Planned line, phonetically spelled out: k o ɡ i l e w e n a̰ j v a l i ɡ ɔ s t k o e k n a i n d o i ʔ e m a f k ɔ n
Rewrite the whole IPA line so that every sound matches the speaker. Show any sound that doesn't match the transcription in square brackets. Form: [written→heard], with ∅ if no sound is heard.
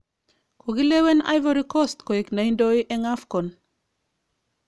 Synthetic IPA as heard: k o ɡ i l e w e n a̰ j v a [l→ɾ] i [ɡ→k] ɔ s t k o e k n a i n d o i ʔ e [m→ŋ] a f k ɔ n